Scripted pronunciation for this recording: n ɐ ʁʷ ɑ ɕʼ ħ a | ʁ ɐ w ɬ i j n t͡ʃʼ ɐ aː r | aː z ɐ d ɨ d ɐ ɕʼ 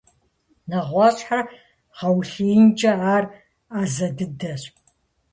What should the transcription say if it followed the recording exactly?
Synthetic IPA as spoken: n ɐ ʁʷ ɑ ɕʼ ħ a | ʁ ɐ w ɬ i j n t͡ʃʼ ɐ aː r | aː z ɐ d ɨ d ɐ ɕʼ